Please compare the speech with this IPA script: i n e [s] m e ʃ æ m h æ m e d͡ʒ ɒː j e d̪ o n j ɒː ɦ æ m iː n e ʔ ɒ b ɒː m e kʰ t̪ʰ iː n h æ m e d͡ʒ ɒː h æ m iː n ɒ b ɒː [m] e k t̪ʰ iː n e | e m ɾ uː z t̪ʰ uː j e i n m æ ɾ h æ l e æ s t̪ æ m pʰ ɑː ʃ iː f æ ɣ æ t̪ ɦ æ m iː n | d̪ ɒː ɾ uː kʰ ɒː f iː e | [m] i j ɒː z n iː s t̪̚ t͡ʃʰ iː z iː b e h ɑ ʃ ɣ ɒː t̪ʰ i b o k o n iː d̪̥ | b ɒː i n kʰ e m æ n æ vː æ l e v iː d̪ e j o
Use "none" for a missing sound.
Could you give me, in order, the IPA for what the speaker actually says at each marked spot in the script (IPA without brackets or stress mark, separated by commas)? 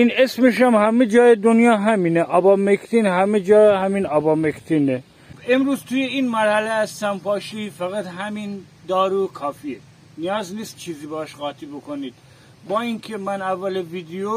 s, m, n